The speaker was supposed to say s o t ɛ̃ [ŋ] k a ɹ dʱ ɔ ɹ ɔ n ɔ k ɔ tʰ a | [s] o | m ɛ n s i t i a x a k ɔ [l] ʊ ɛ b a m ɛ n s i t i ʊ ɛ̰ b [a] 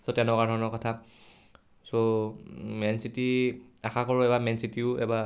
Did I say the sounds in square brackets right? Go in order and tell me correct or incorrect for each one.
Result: incorrect, correct, incorrect, correct

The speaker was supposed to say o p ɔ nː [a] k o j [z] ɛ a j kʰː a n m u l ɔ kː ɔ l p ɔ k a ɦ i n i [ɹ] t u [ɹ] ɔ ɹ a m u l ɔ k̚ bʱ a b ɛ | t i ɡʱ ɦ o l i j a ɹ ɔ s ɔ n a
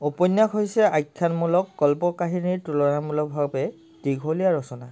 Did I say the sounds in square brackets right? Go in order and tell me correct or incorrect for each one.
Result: correct, incorrect, correct, incorrect

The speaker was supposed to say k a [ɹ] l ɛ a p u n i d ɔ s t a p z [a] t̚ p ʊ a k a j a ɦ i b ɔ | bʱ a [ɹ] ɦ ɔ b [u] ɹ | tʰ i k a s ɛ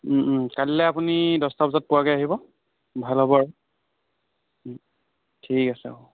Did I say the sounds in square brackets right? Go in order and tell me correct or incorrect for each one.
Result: incorrect, correct, incorrect, incorrect

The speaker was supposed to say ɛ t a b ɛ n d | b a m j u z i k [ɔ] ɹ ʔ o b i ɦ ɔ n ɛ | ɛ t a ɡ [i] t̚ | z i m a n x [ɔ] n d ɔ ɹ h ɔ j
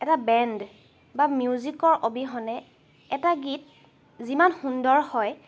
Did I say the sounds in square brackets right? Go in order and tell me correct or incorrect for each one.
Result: correct, correct, incorrect

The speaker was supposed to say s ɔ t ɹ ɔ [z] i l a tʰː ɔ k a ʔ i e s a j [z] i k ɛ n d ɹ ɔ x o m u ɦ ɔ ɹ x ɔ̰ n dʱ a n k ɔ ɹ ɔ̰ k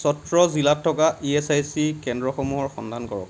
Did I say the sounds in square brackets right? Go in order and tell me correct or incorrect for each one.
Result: correct, incorrect

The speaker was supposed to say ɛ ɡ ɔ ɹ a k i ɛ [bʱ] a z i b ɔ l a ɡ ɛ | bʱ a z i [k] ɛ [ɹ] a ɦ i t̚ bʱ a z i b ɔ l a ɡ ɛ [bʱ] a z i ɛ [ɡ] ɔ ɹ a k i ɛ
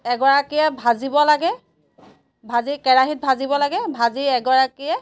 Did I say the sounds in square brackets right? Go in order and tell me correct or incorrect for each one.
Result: correct, correct, correct, correct, correct

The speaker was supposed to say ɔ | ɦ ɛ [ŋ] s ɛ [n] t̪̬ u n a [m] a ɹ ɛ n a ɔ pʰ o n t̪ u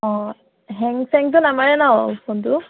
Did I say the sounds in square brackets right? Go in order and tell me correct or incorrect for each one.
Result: correct, incorrect, correct

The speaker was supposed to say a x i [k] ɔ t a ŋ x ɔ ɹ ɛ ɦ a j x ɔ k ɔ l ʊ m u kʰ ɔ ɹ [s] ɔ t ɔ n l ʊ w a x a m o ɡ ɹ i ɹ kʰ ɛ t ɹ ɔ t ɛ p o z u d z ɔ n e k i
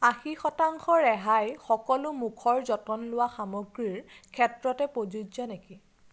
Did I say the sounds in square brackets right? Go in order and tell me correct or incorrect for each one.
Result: incorrect, incorrect

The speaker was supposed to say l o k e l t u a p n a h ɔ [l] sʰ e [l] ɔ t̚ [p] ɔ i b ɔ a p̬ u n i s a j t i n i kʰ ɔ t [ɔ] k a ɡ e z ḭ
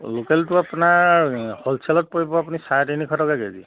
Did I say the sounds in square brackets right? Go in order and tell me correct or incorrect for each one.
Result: correct, correct, correct, correct

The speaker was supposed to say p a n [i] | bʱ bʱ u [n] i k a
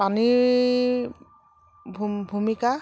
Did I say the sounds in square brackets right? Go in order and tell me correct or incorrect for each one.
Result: correct, incorrect

